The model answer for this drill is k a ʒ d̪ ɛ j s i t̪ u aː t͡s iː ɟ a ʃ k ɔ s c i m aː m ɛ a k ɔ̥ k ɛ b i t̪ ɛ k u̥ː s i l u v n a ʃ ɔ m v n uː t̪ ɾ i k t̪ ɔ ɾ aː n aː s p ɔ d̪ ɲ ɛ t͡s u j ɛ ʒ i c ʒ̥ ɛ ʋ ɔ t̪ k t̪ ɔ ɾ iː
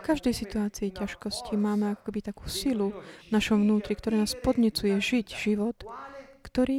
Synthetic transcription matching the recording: k a ʒ d̪ ɛ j s i t̪ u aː t͡s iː c a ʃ k ɔ s c i m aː m ɛ a k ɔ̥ k ɛ b i t̪ a k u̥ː s i l u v n a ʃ ɔ m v n uː t̪ ɾ i k t̪ ɔ ɾ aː n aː s p ɔ d̪ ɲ ɛ t͡s u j ɛ ʒ i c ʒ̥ i ʋ ɔ t̪ k t̪ ɔ ɾ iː